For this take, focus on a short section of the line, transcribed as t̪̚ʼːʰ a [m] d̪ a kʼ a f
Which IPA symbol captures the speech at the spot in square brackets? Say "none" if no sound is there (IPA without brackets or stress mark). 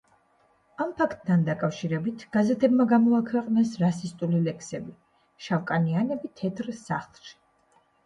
n